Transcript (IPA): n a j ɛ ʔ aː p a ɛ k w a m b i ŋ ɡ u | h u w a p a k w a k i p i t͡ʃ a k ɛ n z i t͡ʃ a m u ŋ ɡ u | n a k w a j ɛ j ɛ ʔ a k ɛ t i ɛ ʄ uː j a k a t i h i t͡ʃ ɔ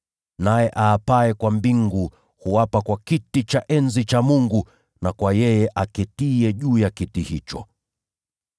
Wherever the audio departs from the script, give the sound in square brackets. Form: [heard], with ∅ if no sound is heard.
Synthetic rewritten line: n a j ɛ ʔ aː p a ɛ k w a m b i ŋ ɡ u | h u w a p a k w a k i [t] i t͡ʃ a [ʔ] ɛ n z i t͡ʃ a m u ŋ ɡ u | n a k w a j ɛ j ɛ ʔ a k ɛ t i ɛ ʄ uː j a k [i] t i h i t͡ʃ ɔ